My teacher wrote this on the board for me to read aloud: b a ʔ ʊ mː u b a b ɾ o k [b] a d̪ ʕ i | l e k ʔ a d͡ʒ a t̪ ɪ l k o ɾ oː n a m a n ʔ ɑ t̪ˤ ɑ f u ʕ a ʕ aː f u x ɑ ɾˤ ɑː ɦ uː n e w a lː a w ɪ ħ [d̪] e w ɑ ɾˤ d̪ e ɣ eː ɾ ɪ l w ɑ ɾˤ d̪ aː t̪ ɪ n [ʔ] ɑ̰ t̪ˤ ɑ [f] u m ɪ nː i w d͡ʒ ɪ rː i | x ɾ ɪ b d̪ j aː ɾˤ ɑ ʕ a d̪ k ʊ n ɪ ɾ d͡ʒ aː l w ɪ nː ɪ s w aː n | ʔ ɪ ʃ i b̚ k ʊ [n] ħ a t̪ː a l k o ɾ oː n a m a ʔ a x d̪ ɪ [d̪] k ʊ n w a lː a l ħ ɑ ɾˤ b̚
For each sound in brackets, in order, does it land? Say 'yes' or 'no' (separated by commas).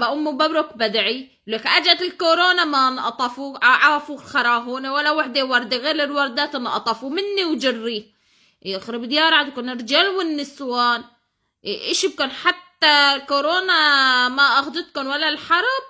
yes, yes, yes, yes, yes, no